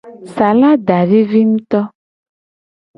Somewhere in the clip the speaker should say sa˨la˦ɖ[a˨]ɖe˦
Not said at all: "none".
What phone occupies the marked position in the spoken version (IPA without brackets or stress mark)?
a˨